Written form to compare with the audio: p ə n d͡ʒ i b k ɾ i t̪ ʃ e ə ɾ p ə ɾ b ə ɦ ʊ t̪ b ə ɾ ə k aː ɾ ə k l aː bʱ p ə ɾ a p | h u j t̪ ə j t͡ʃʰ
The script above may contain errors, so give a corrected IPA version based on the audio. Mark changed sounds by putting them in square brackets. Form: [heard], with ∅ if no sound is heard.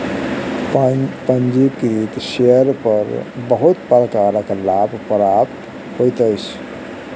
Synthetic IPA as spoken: p ə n d͡ʒ i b k ɾ i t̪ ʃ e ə ɾ p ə ɾ b ə ɦ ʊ t̪ [p] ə ɾ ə k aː ɾ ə k l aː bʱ p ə ɾ a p | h [o] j t̪ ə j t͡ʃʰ